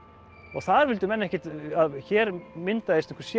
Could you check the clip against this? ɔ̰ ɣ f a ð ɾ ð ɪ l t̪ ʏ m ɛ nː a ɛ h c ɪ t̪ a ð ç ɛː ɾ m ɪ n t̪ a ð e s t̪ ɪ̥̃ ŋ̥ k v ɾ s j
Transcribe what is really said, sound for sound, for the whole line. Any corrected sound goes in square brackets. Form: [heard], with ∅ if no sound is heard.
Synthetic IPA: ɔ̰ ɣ [θ] a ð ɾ [v] ɪ l t̪ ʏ m ɛ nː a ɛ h c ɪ t̪ a ð ç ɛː ɾ m ɪ n t̪ a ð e s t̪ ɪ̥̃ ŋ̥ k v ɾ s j